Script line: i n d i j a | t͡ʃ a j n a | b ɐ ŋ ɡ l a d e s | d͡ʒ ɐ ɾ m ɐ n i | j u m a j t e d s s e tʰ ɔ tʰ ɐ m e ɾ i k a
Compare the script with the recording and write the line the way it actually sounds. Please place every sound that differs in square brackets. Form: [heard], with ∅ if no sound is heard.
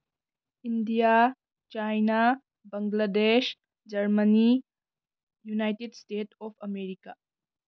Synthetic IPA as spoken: i n d i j a | t͡ʃ a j n a | b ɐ ŋ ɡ l a d e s | d͡ʒ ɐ ɾ m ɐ n i | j u [n] a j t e d s [t] e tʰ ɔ [pʰ] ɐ m e ɾ i k a